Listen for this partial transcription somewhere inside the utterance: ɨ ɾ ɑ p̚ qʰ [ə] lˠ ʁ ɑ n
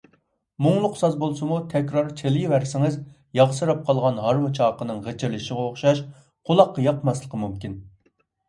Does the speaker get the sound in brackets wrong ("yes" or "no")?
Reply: yes